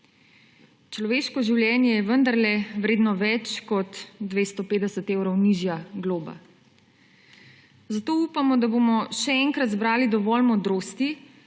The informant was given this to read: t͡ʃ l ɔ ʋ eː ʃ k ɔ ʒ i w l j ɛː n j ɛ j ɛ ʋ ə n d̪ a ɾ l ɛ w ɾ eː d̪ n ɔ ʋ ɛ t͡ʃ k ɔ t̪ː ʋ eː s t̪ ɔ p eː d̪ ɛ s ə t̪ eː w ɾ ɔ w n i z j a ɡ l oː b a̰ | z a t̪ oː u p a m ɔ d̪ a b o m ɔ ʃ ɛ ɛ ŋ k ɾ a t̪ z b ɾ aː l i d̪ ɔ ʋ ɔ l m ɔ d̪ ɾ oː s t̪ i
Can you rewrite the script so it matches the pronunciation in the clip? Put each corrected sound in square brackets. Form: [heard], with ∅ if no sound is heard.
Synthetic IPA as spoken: t͡ʃ l ɔ ʋ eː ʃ k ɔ ʒ i w l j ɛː n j ɛ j ɛ ʋ ə n d̪ a ɾ l ɛ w ɾ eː d̪ n ɔ ʋ ɛ t͡ʃ k ɔ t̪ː ʋ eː s t̪ ɔ p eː d̪ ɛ s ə t̪ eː w ɾ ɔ w n i [ʒ] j a ɡ l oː b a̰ | z a t̪ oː u p a m ɔ d̪ a b o m ɔ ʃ ɛ ɛ ŋ k ɾ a t̪ z b ɾ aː l i d̪ ɔ ʋ ɔ l m ɔ d̪ ɾ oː s t̪ i